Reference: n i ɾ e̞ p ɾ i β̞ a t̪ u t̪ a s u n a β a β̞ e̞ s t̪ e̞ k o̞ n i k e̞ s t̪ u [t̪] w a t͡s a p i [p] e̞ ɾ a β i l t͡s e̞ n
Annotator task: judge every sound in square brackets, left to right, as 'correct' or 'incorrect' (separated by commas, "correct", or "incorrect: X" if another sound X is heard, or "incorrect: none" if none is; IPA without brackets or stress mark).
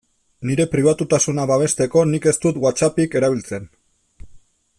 correct, incorrect: k